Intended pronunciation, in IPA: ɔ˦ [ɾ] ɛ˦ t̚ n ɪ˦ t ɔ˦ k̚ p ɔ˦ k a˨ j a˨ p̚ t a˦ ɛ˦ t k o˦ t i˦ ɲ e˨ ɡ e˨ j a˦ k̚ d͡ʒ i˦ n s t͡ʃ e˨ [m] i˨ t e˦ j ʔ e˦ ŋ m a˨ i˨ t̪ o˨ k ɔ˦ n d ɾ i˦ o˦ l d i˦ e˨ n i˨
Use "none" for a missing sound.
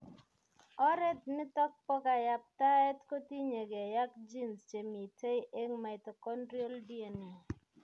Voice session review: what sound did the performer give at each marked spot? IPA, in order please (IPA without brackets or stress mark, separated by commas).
ɾ, m